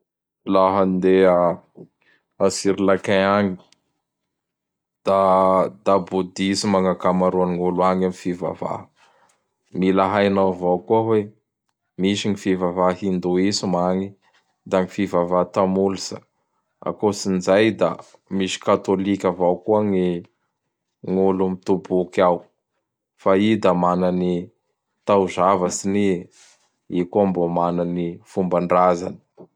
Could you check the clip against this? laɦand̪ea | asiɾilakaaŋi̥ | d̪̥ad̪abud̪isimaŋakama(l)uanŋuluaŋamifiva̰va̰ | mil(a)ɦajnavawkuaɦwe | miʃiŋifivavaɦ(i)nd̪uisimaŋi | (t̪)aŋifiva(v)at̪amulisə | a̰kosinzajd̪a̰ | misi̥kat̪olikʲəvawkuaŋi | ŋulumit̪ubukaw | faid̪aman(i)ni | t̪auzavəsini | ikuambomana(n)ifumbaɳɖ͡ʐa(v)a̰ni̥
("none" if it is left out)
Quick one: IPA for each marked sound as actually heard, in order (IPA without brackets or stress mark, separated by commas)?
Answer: ɾ, a, i, d̪, v, a, n, z